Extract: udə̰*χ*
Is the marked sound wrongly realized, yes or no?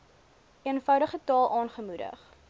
no